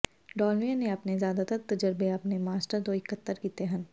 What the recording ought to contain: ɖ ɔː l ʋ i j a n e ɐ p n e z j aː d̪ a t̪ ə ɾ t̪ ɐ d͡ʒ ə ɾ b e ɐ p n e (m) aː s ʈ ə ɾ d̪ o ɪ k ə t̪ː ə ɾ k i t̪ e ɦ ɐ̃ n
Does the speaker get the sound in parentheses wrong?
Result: no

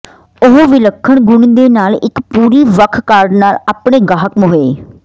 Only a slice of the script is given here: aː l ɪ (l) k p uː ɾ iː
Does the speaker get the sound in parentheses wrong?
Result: yes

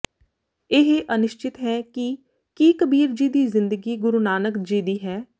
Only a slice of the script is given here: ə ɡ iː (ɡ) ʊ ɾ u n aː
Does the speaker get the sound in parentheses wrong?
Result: no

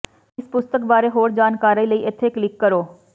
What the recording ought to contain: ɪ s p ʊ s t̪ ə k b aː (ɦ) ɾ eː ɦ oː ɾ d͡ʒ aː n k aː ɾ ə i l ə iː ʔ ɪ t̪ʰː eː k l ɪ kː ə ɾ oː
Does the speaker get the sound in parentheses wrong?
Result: yes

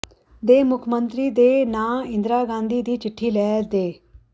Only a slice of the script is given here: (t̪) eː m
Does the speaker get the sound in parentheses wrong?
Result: yes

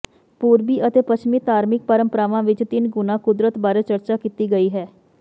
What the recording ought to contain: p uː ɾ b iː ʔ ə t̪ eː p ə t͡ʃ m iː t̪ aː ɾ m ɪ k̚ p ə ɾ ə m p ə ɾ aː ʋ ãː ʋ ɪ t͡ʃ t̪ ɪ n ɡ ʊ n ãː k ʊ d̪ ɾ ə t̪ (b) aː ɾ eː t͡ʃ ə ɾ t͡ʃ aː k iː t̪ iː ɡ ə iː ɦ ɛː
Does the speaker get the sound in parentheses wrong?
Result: no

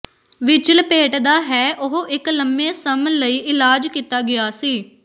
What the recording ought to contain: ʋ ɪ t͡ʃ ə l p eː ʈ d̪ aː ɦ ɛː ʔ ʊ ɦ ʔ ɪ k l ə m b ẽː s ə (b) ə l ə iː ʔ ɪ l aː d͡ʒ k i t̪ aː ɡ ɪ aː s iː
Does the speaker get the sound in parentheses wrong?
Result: yes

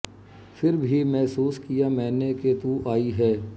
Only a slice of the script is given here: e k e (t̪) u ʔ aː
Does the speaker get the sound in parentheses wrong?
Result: no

